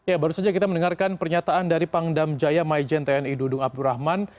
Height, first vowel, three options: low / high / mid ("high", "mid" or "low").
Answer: low